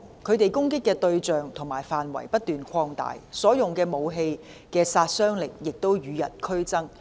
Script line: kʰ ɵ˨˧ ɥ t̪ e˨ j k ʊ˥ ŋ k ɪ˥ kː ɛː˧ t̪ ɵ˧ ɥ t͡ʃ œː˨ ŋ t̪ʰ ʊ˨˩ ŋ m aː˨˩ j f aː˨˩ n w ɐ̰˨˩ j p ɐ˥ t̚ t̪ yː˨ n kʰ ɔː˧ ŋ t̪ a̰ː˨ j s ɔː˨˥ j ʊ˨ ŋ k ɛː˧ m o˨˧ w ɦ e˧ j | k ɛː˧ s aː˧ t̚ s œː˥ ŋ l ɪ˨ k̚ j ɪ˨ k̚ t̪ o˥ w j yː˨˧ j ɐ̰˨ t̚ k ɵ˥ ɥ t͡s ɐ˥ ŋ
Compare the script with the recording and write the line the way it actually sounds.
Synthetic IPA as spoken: kʰ ɵ˨˧ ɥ t̪ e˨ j k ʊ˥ ŋ k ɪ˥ kː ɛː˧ t̪ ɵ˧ ɥ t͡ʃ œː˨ ŋ t̪ʰ ʊ˨˩ ŋ m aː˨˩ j f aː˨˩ n w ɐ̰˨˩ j p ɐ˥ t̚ t̪ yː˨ n kʰ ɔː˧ ŋ t̪ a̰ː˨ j s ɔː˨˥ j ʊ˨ ŋ k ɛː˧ m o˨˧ w ɦ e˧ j | k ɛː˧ s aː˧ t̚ s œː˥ ŋ l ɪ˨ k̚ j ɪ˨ k̚ t̪ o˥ w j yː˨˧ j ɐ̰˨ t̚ kʰ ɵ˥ ɥ t͡s ɐ˥ ŋ